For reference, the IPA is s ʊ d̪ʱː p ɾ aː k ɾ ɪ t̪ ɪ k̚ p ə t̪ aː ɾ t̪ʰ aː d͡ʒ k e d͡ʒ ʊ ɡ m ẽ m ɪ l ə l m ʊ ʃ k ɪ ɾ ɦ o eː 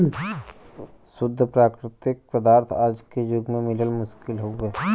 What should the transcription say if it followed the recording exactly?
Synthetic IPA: s ʊ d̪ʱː p ɾ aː k ɾ ɪ t̪ ɪ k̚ p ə d̪ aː ɾ t̪ʰ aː d͡ʒ k e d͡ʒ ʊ ɡ m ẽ m ɪ l ə l m ʊ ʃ k ɪ l ɦ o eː